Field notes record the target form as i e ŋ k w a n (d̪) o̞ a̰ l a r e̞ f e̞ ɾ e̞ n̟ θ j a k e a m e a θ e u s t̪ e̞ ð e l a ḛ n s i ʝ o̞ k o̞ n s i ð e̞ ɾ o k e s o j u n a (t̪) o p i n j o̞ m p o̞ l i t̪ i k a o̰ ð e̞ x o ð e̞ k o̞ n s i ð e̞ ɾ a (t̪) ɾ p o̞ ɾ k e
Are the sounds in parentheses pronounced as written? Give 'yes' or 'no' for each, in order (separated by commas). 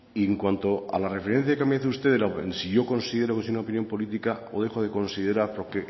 no, no, no